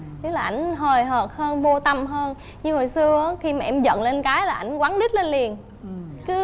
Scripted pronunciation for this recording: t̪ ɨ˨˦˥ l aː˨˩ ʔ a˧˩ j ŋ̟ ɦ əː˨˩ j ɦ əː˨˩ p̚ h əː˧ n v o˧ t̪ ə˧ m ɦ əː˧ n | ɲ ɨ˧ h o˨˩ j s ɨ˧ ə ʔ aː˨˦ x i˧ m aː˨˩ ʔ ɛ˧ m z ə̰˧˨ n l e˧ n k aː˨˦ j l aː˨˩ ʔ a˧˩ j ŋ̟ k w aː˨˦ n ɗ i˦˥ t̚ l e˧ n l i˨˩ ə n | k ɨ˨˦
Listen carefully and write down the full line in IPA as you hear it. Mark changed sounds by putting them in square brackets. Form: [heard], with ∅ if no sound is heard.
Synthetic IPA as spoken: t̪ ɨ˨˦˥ l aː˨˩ ʔ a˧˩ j ŋ̟ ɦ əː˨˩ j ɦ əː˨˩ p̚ h əː˧ n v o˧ t̪ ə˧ m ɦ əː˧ n | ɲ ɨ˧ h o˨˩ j s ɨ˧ ə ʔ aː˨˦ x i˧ m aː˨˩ ʔ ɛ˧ m z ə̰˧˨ n l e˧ n k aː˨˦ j l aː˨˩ ʔ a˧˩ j ŋ̟ k w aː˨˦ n ɗ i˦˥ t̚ l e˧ n l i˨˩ ə n | k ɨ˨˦

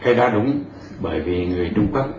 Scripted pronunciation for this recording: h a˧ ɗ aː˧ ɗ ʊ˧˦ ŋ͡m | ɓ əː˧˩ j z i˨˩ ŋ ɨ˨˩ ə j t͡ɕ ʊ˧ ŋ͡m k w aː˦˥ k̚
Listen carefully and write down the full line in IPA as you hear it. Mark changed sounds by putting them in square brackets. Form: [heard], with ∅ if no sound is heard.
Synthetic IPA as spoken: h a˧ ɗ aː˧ ɗ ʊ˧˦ ŋ͡m | ɓ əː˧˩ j [v] i˨˩ ŋ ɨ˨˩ ə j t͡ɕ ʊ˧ ŋ͡m k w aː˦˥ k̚

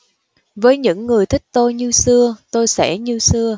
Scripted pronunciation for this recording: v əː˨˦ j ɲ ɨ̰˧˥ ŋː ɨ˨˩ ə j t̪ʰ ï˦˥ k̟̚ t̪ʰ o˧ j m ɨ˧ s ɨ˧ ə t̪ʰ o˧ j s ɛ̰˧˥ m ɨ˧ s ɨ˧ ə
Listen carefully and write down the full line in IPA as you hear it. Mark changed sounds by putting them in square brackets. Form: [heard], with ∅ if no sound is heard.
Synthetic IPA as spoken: v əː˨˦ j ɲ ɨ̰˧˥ ŋː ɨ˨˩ ə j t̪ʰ ï˦˥ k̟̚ [t̪] o˧ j [ɲ] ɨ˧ s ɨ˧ ə [t̪] o˧ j s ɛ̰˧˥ [ɲ] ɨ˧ s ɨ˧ ə

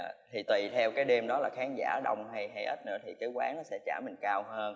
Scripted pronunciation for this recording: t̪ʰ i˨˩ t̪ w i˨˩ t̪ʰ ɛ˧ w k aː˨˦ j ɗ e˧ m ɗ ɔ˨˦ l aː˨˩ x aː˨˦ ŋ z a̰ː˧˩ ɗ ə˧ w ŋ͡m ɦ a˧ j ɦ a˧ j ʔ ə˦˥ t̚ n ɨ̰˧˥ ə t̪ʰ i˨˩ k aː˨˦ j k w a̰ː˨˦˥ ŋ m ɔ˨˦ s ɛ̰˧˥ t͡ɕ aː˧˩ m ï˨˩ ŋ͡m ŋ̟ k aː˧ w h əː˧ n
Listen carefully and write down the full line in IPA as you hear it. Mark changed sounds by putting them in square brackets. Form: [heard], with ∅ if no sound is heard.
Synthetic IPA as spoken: t̪ʰ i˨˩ t̪ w i˨˩ t̪ʰ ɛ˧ w k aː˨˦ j ɗ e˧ m ɗ ɔ˨˦ l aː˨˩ x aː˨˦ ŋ z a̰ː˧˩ ɗ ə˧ w ŋ͡m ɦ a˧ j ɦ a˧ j ʔ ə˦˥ t̚ n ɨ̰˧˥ ə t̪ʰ i˨˩ k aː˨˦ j k w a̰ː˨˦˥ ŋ [n] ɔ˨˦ s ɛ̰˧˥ t͡ɕ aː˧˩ m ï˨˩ [∅] ŋ̟ k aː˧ w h əː˧ n

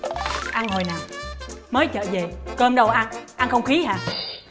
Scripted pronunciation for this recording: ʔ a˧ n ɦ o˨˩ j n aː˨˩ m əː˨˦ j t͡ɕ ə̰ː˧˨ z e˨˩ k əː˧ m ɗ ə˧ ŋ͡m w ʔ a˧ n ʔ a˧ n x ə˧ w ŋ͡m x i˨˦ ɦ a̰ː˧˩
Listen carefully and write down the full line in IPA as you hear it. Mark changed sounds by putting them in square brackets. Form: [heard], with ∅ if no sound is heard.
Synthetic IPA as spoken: ʔ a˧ n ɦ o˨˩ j n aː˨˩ m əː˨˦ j t͡ɕ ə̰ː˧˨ z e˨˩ k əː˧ m ɗ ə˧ [∅] w ʔ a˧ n ʔ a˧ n x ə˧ w ŋ͡m x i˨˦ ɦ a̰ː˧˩

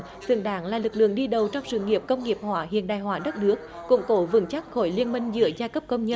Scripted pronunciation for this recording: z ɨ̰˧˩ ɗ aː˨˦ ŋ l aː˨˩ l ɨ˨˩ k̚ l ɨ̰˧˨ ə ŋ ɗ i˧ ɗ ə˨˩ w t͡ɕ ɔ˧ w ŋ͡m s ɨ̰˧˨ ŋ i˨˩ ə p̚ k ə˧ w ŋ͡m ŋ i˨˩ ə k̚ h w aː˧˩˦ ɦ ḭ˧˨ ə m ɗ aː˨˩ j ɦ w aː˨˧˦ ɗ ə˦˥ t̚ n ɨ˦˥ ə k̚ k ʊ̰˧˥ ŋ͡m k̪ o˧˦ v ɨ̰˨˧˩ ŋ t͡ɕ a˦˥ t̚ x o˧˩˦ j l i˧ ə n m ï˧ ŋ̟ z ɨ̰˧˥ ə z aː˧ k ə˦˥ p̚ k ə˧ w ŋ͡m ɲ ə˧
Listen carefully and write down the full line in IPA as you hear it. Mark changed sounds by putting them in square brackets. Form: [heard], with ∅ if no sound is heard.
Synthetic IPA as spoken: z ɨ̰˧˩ ɗ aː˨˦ ŋ l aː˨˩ l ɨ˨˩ k̚ l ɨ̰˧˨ ə ŋ ɗ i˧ ɗ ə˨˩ w t͡ɕ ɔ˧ w ŋ͡m s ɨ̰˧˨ ŋ i˨˩ ə p̚ k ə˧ w ŋ͡m ŋ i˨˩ ə [p̚] h w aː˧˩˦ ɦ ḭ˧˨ ə [n] ɗ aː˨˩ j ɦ w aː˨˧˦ ɗ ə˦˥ t̚ n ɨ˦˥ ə k̚ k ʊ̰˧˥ ŋ͡m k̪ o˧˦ v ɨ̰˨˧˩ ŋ t͡ɕ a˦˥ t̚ x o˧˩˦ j l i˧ ə n m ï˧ ŋ̟ z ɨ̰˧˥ ə z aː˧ k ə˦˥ p̚ k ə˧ w ŋ͡m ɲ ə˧

